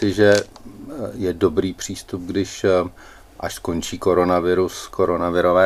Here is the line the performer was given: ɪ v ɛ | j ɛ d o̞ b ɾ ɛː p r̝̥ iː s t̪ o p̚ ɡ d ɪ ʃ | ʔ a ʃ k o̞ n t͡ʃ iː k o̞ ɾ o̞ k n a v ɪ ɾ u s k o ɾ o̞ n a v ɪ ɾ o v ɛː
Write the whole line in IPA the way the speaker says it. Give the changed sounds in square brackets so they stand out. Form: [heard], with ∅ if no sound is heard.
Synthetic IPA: ɪ [ʒ] ɛ | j ɛ d o̞ b ɾ [iː] p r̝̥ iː s t̪ [u] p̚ ɡ d ɪ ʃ | ʔ a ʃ k o̞ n t͡ʃ iː k o̞ ɾ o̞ [∅] n a v ɪ ɾ u s k o ɾ o̞ n a v ɪ ɾ o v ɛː